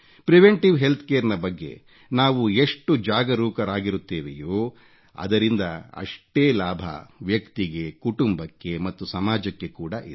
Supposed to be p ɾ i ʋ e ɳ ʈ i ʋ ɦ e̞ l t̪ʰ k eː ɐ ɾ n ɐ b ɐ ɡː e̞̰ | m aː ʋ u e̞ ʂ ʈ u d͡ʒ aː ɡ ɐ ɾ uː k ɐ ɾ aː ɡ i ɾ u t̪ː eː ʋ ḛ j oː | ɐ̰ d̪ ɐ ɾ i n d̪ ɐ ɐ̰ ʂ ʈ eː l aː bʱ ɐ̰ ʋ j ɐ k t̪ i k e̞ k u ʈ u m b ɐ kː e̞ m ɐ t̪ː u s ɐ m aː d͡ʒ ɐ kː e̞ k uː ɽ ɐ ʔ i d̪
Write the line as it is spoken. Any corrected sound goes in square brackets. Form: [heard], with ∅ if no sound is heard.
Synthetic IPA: p ɾ i ʋ e ɳ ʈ i ʋ ɦ e̞ l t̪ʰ k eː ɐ ɾ n ɐ b ɐ ɡː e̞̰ | [n] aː ʋ u e̞ ʂ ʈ u d͡ʒ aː ɡ ɐ ɾ uː k ɐ ɾ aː ɡ i ɾ u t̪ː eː ʋ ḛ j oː | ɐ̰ d̪ ɐ ɾ i n d̪ ɐ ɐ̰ ʂ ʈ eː l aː bʱ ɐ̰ ʋ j ɐ k t̪ i [ɡ] e̞ k u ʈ u m b ɐ kː e̞ m ɐ t̪ː u s ɐ m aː d͡ʒ ɐ kː e̞ k uː ɽ ɐ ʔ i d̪